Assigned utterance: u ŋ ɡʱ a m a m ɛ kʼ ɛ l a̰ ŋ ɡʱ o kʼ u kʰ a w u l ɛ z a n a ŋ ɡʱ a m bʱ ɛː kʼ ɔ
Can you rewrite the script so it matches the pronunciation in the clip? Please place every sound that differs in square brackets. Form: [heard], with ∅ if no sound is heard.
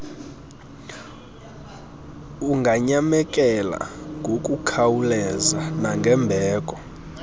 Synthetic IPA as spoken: u ŋ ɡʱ a [ɲ] a m ɛ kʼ ɛ l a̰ ŋ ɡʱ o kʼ u kʰ a w u l ɛ z a n a ŋ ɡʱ [ɛ] m bʱ ɛː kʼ ɔ